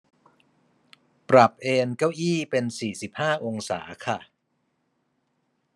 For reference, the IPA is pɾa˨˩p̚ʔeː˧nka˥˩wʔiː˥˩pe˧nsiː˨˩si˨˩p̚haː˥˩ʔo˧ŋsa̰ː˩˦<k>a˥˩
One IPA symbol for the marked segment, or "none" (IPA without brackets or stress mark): kʰ